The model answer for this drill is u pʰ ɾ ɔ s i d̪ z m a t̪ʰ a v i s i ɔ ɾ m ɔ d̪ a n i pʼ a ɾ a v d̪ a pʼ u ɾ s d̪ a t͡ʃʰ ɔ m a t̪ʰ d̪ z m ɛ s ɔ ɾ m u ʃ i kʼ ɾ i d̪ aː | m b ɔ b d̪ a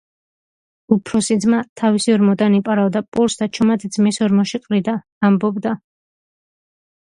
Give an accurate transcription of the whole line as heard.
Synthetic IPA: u pʰ ɾ ɔ s i d̪ z m a t̪ʰ a v i s i ɔ ɾ m ɔ d̪ a n i pʼ a ɾ a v d̪ a pʼ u ɾ s d̪ a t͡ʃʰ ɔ m a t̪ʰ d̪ z m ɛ s ɔ ɾ m ɔ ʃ i qʼ ɾ i d̪ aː | m b ɔ b d̪ a